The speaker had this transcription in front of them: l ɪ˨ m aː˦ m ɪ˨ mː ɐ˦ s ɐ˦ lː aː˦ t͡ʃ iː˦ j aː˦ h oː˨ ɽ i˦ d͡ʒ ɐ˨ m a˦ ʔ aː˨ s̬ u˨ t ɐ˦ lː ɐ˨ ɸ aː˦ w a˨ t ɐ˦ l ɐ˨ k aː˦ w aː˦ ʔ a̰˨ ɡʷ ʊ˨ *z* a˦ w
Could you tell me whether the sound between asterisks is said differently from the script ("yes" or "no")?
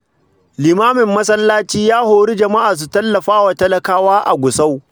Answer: yes